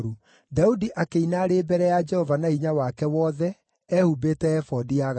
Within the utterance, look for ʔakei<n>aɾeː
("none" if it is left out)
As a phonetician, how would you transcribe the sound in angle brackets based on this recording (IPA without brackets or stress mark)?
n